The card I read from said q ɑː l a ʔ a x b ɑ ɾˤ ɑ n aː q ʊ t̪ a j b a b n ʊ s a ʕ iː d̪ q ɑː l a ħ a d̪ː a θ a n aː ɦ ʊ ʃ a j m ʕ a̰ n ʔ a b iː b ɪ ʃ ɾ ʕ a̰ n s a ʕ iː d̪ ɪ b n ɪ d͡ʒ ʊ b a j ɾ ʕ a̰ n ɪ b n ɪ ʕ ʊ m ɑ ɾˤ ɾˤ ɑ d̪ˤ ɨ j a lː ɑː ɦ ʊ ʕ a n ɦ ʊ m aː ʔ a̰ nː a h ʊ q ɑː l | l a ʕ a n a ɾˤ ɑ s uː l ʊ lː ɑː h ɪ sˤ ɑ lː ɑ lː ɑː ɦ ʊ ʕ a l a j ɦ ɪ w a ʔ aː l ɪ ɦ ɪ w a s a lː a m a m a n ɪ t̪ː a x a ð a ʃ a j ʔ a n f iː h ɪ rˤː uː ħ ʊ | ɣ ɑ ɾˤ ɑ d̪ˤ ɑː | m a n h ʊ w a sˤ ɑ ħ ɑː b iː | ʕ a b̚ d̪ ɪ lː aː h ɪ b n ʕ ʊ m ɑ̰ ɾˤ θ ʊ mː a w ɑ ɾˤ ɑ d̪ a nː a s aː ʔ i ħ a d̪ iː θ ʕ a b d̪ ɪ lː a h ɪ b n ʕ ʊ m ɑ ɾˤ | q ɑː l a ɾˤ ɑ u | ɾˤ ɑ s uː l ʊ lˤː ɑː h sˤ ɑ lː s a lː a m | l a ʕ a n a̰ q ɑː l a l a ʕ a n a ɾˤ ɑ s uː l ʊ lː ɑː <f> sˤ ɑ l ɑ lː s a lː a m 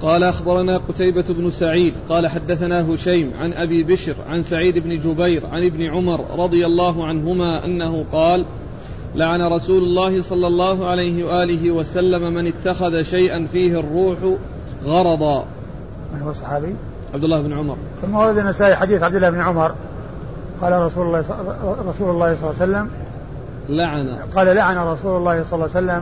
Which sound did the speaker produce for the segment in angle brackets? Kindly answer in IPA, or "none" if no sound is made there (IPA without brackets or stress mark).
h